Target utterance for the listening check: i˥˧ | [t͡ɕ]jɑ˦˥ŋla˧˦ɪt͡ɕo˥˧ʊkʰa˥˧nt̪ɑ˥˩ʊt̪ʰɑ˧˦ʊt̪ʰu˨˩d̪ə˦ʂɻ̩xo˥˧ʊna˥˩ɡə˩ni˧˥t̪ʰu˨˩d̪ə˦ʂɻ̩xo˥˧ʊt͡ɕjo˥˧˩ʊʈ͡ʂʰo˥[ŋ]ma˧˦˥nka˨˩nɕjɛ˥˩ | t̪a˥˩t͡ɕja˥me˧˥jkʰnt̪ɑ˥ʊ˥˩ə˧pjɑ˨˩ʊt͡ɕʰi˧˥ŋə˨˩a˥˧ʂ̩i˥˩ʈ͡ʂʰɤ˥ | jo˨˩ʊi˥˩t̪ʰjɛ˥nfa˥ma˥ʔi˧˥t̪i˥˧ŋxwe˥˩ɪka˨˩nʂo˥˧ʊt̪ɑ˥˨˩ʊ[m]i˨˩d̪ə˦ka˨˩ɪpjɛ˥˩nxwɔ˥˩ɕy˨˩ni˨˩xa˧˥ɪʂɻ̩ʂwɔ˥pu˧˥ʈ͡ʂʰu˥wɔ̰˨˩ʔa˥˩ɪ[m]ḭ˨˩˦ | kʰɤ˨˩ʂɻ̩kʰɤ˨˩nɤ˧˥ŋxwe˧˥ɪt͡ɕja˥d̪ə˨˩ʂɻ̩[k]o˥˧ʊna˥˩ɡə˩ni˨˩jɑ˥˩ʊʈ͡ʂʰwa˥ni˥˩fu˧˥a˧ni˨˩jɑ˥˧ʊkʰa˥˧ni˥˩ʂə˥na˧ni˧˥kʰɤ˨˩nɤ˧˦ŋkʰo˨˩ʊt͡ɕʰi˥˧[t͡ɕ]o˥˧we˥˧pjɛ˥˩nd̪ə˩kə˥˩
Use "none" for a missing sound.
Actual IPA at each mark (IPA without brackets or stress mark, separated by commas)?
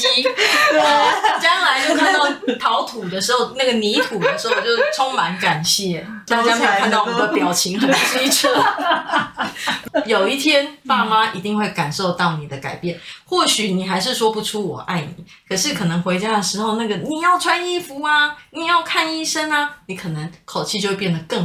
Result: t͡ɕ, ŋ, n, n, x, t͡ɕ